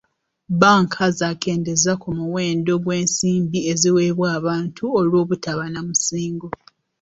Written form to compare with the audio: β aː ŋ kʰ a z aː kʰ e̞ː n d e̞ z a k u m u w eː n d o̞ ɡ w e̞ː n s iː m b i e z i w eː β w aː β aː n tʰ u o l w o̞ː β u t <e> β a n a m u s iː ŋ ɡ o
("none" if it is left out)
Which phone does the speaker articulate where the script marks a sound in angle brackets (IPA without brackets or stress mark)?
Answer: a